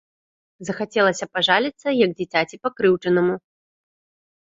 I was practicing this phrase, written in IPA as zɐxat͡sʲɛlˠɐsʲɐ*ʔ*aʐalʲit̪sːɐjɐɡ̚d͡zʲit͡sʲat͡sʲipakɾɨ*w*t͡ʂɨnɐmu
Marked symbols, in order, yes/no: no, yes

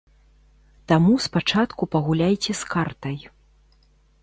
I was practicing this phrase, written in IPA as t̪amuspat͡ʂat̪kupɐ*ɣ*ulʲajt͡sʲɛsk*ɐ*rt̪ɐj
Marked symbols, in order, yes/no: yes, no

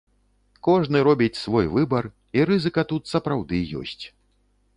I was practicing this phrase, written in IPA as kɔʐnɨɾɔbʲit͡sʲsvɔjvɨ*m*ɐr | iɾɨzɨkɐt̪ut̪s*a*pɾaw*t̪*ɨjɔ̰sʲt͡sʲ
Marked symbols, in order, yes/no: no, no, no

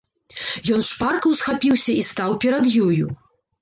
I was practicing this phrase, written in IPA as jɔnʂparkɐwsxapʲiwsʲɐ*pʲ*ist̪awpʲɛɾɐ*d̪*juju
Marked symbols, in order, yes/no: no, yes

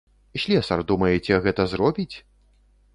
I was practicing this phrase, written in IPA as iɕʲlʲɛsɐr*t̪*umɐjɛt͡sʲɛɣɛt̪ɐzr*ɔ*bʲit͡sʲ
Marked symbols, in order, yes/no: no, yes

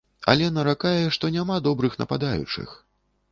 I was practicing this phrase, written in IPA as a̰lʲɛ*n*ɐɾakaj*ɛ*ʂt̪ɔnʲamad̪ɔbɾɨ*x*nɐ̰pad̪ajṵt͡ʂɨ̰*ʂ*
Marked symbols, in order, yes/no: yes, yes, yes, no

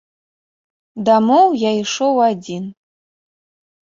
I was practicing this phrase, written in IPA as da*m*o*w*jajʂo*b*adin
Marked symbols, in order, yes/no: yes, yes, no

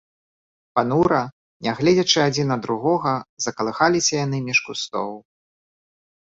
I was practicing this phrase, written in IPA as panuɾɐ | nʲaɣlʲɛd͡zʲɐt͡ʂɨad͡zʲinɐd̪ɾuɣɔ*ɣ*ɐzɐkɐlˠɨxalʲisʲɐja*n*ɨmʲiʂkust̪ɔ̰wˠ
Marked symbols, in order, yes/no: yes, yes

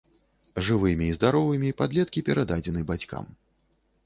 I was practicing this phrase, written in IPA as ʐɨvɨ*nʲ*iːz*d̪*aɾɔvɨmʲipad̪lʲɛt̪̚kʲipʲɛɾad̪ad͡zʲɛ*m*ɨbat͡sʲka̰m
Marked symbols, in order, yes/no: no, yes, no

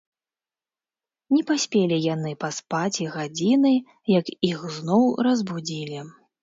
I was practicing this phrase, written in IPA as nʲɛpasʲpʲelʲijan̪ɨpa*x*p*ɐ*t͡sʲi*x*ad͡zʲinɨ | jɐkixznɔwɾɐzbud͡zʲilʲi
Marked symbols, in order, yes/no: no, no, no

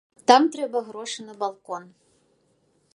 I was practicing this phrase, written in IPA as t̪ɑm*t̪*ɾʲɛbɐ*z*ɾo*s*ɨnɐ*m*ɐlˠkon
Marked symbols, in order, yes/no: yes, no, no, no

